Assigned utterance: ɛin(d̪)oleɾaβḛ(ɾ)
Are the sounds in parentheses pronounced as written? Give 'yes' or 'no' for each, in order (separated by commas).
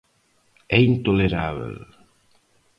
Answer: no, no